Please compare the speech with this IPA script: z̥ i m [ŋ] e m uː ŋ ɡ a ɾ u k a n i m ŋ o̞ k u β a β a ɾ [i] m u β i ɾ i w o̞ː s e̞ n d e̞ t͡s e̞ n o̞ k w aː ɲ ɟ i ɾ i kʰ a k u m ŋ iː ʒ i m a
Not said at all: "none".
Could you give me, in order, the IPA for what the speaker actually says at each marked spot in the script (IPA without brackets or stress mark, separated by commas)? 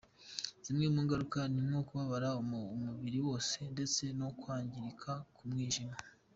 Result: ŋ, a